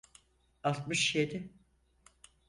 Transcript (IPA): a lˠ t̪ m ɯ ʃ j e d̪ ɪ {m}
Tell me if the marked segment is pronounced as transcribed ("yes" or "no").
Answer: no